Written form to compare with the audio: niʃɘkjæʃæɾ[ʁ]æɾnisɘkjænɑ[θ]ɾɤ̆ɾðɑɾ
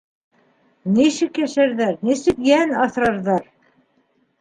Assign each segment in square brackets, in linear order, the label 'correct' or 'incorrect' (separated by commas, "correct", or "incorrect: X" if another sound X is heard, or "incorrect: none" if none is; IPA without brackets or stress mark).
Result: incorrect: ð, correct